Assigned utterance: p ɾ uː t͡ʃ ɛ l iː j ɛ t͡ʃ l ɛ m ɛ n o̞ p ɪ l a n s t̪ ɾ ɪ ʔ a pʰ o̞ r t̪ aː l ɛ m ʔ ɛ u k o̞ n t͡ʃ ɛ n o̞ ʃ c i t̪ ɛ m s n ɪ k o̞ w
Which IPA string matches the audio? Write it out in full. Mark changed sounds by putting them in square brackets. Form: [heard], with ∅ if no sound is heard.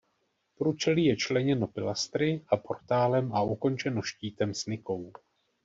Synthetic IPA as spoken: p ɾ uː t͡ʃ ɛ l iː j ɛ t͡ʃ l ɛ [ɲ] ɛ n o̞ p ɪ l a [∅] s t̪ ɾ ɪ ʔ a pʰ o̞ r t̪ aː l ɛ m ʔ [a] u k o̞ n t͡ʃ ɛ n o̞ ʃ c [iː] t̪ ɛ m s n ɪ k o̞ w